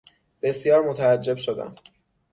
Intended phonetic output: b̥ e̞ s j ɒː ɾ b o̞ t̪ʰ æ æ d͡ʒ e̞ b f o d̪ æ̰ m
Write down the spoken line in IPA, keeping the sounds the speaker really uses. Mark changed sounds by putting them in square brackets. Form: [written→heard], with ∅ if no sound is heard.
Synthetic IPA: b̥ e̞ s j ɒː ɾ [b→m] o̞ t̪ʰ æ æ [d͡ʒ→d͡ʒː] e̞ b [f→ʃ] o d̪ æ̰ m